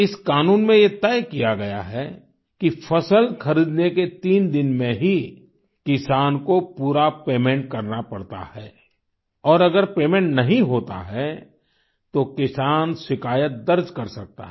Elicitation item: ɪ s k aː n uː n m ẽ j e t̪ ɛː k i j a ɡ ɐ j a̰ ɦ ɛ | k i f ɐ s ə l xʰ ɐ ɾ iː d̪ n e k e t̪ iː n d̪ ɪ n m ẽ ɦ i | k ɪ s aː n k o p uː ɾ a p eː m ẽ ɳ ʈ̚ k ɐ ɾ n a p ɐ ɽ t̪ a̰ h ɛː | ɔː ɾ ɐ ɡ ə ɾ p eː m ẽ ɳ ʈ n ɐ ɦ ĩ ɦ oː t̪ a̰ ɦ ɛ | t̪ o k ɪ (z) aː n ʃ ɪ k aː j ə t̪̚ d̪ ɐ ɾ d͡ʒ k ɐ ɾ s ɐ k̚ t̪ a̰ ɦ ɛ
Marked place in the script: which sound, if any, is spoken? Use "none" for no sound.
s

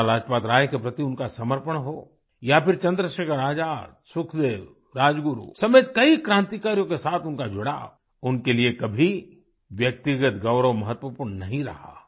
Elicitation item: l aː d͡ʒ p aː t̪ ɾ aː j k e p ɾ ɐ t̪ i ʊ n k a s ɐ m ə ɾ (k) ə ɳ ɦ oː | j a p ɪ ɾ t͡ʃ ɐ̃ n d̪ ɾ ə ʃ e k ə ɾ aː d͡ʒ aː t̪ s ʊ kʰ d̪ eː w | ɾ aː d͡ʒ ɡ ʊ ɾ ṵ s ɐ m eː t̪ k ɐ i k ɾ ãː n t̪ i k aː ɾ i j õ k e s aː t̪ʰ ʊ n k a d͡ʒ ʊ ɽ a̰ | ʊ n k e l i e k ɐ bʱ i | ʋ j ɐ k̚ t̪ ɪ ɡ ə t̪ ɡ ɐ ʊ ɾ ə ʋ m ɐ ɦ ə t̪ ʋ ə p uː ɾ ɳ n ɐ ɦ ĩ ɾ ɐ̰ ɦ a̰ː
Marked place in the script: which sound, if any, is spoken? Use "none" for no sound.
p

